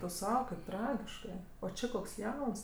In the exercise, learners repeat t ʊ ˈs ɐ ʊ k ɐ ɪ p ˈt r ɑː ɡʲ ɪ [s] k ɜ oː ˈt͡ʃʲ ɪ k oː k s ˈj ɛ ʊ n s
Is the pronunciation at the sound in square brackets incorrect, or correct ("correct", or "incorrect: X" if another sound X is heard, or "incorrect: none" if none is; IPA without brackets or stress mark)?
incorrect: ʃ